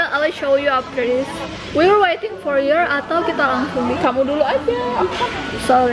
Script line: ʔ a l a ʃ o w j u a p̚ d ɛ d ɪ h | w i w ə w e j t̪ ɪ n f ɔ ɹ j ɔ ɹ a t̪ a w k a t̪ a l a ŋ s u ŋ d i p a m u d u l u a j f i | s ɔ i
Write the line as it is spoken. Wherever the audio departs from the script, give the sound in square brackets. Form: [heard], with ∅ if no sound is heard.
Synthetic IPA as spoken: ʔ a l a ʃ o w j u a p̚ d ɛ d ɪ [s] | w i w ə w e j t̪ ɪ [ŋ] f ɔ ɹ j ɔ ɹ a t̪ a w k [i] t̪ a l a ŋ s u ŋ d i [k] a m u d u l u a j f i | s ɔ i